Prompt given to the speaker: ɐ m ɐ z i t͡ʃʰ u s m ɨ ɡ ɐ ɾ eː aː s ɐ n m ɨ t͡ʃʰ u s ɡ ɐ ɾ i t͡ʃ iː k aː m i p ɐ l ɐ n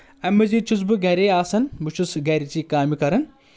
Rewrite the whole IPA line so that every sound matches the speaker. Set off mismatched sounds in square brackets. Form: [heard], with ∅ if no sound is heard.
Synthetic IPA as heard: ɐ m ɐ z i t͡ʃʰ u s [b] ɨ ɡ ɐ ɾ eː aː s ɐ n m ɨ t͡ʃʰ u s ɡ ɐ ɾ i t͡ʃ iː k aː m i [k] ɐ [ɾ] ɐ n